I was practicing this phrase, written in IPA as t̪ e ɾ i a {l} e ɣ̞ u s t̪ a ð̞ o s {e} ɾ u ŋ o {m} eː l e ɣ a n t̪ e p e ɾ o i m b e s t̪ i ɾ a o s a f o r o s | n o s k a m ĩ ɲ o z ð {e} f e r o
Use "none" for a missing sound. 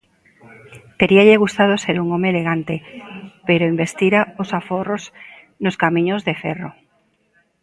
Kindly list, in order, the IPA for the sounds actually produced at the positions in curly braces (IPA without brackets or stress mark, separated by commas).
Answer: ʎ, e, m, e